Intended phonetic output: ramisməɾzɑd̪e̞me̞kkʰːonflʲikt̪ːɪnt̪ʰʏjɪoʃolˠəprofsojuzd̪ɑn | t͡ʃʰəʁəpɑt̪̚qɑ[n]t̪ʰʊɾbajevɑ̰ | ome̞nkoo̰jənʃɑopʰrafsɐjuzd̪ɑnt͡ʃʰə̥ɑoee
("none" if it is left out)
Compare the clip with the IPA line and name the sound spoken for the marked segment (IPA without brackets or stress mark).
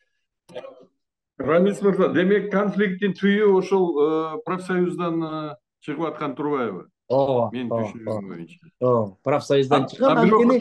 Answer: n